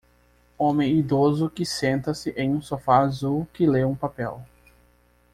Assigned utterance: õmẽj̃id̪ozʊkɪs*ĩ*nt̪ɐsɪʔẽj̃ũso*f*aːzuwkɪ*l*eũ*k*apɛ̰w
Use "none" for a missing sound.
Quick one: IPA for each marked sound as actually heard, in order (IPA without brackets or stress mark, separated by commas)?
ẽ, f, l, p